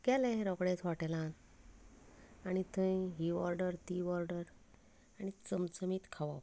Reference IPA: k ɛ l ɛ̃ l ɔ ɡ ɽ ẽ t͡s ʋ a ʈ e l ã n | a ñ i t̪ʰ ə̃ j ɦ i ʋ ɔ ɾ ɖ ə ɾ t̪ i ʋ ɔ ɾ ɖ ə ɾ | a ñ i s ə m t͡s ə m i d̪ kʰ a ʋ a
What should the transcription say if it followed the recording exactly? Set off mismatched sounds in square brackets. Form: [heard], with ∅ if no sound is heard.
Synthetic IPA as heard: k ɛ l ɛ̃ [ɾ] ɔ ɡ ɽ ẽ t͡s ʋ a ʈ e l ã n | a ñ i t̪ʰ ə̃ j ɦ i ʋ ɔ ɾ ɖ ə ɾ t̪ i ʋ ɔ ɾ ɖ ə ɾ | a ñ i [t͡s] ə m t͡s ə m i [t̪] kʰ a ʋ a